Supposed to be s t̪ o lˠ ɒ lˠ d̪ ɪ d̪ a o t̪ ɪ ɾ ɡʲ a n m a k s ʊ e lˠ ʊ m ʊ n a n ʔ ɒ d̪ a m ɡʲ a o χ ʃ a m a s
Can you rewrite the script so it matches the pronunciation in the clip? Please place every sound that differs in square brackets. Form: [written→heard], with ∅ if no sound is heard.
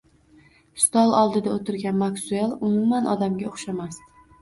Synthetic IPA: s t̪ [o→ɒ] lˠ ɒ lˠ d̪ ɪ d̪ a o t̪ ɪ ɾ ɡʲ a n m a k s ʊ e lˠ ʊ m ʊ [n→m] a n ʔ ɒ d̪ a m ɡʲ a o χ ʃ a m a s